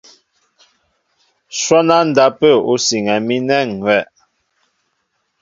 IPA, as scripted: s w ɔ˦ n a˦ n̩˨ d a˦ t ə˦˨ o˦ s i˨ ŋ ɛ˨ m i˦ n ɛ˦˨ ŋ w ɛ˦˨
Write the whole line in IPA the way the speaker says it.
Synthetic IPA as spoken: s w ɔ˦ n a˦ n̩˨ d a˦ p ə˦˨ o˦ s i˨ ŋ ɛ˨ m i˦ n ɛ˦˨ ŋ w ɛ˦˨